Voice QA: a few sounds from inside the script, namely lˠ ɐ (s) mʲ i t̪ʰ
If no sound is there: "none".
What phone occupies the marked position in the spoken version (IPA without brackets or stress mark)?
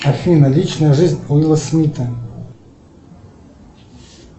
s